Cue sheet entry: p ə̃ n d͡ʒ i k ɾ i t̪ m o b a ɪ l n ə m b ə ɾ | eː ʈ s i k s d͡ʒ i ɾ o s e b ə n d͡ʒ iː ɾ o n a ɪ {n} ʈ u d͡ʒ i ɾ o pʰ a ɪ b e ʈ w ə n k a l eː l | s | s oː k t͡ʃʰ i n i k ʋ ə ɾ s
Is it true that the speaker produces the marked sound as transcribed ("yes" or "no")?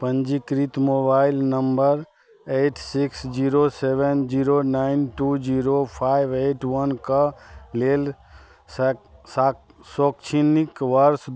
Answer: yes